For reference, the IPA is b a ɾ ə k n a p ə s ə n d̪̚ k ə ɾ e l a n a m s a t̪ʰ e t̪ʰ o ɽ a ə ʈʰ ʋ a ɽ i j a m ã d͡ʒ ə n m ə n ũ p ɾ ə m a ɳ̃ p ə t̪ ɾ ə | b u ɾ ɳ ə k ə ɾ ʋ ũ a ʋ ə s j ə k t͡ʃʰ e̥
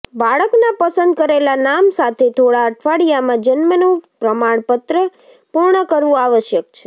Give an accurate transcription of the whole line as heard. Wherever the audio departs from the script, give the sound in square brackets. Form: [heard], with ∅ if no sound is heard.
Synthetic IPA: b a [ɭ] ə k n a p ə s ə n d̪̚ k ə ɾ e l a n a m s a t̪ʰ e t̪ʰ o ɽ a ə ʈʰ ʋ a ɽ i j a m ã d͡ʒ ə n m ə n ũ p ɾ ə m a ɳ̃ p ə t̪ ɾ ə | [p] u ɾ ɳ ə k ə ɾ ʋ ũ a ʋ ə [ʃ] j ə k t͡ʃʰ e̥